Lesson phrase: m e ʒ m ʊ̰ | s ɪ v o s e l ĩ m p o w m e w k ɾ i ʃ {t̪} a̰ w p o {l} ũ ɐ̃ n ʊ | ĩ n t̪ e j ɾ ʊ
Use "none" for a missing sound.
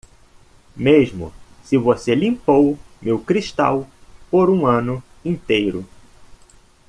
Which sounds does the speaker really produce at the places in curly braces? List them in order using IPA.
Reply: t̪, ɾ

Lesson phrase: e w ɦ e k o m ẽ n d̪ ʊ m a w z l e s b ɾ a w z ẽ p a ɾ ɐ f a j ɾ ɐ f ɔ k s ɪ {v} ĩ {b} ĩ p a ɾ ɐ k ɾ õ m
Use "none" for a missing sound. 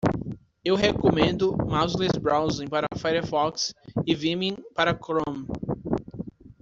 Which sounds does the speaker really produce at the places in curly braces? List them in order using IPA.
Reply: v, m

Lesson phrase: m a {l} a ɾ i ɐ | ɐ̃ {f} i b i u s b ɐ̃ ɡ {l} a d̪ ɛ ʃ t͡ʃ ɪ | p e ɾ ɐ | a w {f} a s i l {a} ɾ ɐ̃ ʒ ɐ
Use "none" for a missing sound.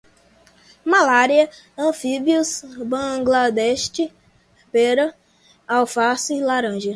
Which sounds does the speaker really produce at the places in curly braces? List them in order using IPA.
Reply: l, f, l, f, a

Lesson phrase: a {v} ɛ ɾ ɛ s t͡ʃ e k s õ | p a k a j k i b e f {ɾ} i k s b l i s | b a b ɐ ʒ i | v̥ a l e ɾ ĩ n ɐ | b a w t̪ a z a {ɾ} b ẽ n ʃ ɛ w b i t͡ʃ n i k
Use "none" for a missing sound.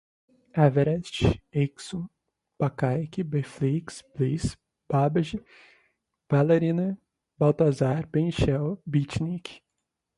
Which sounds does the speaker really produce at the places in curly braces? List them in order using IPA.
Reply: v, l, ɾ

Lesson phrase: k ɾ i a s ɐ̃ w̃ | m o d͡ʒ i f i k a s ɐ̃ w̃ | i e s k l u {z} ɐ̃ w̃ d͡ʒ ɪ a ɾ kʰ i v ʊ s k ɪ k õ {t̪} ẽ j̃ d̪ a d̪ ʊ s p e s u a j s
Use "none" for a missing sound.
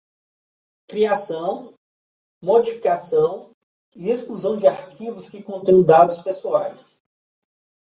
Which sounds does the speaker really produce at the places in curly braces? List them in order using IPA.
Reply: z, t̪

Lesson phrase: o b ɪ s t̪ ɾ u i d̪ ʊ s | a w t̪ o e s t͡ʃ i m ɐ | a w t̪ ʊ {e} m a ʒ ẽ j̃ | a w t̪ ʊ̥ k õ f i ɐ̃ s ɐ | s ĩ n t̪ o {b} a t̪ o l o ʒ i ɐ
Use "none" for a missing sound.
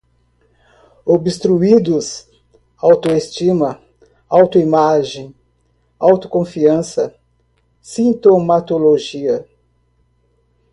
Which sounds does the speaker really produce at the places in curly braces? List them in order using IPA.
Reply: i, m

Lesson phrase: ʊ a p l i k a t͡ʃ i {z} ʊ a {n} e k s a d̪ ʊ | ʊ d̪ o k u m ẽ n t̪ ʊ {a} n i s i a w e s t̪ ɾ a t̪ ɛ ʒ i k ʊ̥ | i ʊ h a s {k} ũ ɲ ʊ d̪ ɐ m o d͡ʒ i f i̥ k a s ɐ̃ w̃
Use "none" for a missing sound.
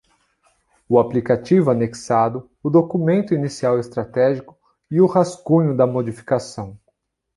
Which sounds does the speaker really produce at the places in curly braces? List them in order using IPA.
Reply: v, n, i, k

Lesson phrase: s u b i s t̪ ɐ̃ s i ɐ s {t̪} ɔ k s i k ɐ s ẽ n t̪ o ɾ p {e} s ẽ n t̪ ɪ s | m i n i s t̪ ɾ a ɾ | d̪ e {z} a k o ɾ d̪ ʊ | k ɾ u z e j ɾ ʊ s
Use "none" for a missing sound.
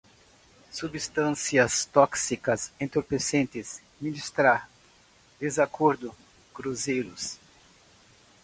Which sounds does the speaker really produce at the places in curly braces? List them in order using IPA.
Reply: t̪, e, z

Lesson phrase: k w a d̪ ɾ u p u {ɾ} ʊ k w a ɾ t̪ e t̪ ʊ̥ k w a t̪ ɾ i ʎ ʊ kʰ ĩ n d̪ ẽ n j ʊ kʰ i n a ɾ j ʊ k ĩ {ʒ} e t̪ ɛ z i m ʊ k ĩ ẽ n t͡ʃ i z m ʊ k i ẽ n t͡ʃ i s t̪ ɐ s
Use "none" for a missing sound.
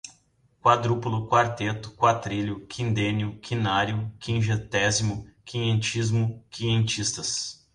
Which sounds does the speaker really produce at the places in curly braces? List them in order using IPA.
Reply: l, ʒ

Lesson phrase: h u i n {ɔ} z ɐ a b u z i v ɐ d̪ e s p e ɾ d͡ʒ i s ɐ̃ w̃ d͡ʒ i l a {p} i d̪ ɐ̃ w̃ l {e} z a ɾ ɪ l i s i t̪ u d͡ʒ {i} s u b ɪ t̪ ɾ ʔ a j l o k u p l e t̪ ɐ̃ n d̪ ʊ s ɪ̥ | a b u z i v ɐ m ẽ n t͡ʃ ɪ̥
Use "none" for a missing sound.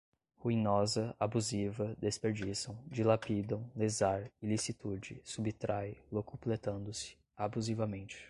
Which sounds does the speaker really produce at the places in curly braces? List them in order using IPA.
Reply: ɔ, p, e, ɪ

